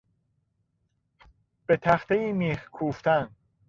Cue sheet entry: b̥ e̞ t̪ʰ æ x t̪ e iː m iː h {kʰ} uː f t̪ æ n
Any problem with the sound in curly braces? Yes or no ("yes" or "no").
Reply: no